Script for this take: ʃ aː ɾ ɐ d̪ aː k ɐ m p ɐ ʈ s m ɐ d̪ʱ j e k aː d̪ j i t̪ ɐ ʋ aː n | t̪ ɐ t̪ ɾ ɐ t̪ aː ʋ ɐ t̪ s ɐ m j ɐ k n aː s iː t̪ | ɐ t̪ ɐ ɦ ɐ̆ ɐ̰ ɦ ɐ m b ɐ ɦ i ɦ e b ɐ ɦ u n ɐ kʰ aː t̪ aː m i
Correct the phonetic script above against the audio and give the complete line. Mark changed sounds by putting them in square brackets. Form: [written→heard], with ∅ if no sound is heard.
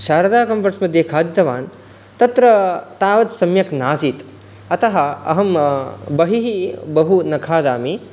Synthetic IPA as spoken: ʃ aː ɾ ɐ d̪ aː k ɐ m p ɐ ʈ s m ɐ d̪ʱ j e [k→kʰ] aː d̪ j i t̪ ɐ ʋ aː n | t̪ ɐ t̪ ɾ ɐ t̪ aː ʋ ɐ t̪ s ɐ m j ɐ k n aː s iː t̪ | ɐ t̪ ɐ ɦ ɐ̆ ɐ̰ ɦ ɐ m b ɐ ɦ i ɦ [e→i] b ɐ ɦ u n ɐ kʰ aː [t̪→d̪] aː m i